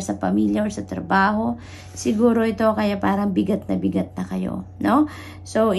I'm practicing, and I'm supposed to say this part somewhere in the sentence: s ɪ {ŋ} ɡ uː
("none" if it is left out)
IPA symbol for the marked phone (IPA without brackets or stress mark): none